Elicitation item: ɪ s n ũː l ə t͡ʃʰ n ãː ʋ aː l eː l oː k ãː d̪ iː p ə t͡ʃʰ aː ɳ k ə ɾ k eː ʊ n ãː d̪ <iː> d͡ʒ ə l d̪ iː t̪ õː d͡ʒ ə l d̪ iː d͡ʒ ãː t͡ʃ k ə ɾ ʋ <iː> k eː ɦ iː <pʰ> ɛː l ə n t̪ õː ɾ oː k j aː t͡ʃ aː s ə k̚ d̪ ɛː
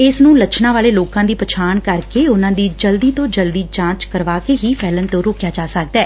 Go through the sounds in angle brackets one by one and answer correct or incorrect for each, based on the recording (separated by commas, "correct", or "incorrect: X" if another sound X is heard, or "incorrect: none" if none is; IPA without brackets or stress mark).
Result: correct, incorrect: aː, correct